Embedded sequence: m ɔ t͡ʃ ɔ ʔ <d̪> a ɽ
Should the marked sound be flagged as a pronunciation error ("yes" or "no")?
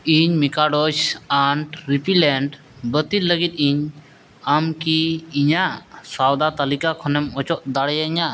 no